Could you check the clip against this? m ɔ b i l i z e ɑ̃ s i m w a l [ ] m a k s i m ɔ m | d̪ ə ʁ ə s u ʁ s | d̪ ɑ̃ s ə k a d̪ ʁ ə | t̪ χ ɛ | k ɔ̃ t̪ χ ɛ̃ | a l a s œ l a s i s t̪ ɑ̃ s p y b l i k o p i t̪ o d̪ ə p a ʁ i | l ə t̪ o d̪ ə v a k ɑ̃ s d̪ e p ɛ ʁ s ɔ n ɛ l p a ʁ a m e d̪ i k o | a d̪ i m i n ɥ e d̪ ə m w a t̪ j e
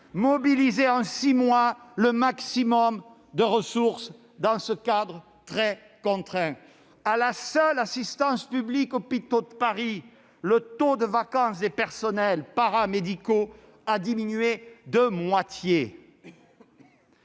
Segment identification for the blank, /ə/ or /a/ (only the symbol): ə